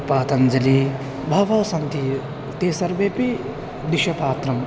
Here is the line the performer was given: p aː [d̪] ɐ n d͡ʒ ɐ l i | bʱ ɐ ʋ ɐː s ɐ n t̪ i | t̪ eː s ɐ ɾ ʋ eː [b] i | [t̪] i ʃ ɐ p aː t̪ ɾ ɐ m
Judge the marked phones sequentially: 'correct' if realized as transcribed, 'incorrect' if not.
incorrect, incorrect, incorrect

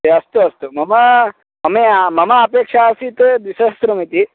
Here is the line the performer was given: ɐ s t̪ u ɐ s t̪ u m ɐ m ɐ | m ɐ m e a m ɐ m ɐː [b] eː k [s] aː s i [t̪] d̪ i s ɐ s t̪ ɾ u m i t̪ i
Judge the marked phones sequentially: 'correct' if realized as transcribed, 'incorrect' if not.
incorrect, incorrect, correct

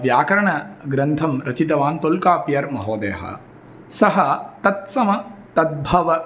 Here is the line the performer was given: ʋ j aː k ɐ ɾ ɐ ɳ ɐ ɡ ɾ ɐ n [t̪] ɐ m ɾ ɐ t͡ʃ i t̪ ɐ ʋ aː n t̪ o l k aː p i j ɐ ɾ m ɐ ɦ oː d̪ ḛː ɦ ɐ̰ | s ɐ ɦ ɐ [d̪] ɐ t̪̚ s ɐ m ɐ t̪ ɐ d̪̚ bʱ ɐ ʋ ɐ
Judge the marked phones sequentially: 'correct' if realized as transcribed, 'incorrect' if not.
incorrect, incorrect

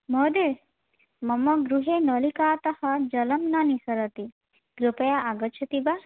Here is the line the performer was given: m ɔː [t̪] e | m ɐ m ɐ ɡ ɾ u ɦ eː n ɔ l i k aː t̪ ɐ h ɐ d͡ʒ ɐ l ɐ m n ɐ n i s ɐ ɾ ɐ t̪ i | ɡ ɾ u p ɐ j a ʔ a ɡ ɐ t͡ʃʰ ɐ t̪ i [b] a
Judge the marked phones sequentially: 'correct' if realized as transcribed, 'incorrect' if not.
incorrect, correct

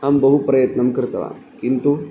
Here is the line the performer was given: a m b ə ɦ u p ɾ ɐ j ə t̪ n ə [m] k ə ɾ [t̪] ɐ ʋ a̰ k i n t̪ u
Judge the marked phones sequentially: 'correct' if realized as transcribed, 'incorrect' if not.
correct, correct

